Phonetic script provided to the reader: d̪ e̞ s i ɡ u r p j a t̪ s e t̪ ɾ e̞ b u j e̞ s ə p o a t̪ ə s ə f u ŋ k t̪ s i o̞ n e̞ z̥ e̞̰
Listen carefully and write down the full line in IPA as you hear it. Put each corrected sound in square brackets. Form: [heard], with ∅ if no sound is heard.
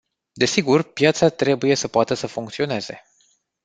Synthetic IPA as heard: d̪ e̞ s i ɡ u r p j a t̪ s [a] t̪ ɾ e̞ b u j e̞ s ə p o a t̪ ə s ə f u ŋ k t̪ s i o̞ n e̞ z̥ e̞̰